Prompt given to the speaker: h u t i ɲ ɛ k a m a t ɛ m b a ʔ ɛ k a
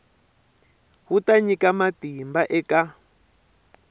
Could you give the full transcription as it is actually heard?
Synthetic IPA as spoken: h u t a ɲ i k a m a t i m b a ʔ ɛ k a